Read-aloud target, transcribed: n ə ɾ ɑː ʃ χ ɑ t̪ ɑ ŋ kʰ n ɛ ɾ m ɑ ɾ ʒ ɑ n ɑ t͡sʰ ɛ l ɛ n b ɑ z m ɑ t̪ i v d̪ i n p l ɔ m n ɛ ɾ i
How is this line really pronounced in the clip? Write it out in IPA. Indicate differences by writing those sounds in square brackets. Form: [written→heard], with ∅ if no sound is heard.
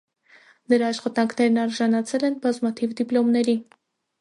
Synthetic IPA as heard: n ə ɾ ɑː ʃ χ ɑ t̪ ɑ ŋ kʰ n ɛ ɾ [m→n] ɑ ɾ ʒ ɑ n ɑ t͡sʰ ɛ l ɛ n b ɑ z m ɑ [t̪→t̪ʰ] i v d̪ i [n→∅] p l ɔ m n ɛ ɾ i